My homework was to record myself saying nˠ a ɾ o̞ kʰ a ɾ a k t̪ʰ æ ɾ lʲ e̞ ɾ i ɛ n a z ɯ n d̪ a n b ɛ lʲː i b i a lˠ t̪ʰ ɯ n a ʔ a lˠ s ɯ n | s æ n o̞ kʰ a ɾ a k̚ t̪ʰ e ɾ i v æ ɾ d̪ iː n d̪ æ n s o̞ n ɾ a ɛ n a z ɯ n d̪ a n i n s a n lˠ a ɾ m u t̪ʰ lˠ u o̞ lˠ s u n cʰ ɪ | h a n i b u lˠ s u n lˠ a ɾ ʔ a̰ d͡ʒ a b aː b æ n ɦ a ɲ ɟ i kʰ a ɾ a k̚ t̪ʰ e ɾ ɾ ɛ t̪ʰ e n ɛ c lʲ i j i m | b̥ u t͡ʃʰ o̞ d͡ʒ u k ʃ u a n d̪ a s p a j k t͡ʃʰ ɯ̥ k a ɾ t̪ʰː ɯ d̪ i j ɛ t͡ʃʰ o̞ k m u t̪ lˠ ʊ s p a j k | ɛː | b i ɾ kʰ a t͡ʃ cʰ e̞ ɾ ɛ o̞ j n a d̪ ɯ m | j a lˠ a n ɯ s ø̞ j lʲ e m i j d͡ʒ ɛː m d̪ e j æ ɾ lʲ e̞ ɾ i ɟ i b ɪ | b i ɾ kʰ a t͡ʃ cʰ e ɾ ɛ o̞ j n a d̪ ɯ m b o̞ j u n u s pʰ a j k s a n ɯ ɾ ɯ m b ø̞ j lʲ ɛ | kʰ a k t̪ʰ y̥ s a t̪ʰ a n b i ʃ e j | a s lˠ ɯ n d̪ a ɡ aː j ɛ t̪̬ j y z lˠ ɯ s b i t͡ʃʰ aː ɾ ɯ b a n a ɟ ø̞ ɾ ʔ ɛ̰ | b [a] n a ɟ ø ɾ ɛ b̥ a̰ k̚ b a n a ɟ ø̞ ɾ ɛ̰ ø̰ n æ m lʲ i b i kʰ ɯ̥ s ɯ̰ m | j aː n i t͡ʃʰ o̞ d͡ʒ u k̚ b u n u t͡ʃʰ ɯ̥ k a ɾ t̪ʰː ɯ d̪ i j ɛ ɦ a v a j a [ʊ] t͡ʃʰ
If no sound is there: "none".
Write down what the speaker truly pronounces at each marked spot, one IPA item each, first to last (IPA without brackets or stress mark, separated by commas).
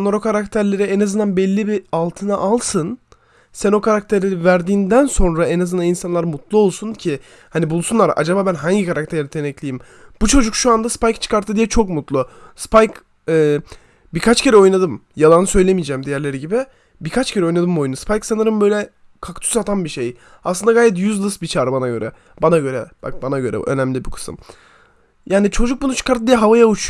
a, u